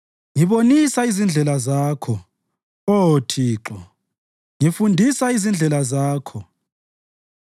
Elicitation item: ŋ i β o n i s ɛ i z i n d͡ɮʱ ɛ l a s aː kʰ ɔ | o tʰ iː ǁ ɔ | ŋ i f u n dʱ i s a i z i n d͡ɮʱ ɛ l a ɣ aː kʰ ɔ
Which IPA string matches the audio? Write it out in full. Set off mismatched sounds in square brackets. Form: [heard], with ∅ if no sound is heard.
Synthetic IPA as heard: ŋ i β o n i s [a] i z i n d͡ɮʱ ɛ l a [z] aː kʰ ɔ | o tʰ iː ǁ ɔ | ŋ i f u n dʱ i s a i z i n d͡ɮʱ ɛ l a [z] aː kʰ ɔ